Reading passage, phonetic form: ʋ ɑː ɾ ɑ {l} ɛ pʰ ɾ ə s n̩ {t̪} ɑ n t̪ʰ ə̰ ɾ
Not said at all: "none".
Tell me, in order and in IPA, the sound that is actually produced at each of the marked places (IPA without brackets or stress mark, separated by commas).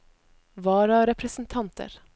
ɾ, t̪ʰ